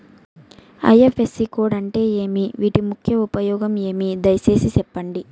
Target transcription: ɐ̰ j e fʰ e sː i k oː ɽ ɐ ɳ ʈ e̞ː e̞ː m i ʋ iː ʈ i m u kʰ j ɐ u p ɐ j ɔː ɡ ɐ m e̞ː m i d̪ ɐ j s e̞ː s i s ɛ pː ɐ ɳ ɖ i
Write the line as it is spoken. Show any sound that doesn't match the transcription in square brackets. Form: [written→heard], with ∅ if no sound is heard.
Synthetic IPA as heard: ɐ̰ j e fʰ e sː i k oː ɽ ɐ ɳ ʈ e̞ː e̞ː m i ʋ iː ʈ i m u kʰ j ɐ u p ɐ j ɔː ɡ ɐ m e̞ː m i d̪ ɐ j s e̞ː s i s ɛ pː ɐ ɳ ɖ i